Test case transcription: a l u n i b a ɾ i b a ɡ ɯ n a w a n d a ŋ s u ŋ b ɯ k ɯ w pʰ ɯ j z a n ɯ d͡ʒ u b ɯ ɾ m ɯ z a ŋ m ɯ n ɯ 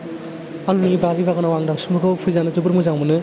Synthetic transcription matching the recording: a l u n i b a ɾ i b a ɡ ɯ n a w a ŋ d a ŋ s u m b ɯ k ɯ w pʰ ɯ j z a n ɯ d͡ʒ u b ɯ ɾ m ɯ z a ŋ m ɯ n ɯ